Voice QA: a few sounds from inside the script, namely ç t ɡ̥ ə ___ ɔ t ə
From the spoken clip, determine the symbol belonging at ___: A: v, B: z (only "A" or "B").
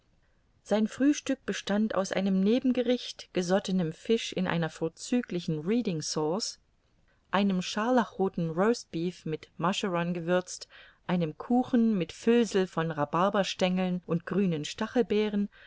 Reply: B